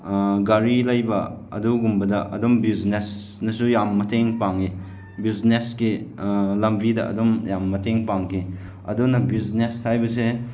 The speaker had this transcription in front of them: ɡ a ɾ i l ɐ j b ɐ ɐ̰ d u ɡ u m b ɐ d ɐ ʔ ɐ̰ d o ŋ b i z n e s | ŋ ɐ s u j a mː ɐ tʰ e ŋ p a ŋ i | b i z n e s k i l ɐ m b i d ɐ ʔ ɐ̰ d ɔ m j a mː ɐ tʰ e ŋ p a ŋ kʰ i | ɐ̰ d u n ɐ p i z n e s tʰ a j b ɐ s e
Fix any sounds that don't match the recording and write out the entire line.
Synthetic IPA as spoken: ɡ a ɾ i l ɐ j b ɐ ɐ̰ d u ɡ u m b ɐ d ɐ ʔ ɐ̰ d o m b i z n e s | n ɐ s u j a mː ɐ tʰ e ŋ p a ŋ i | b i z n e s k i l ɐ m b i d ɐ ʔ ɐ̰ d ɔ m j a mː ɐ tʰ e ŋ p a ŋ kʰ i | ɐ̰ d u n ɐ b i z n e s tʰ a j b ɐ s e